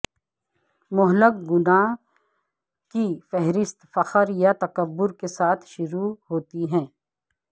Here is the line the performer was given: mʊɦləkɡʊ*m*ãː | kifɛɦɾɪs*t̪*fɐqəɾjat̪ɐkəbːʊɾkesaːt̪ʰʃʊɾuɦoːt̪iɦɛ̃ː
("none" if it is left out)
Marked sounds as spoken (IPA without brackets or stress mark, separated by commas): n, t̪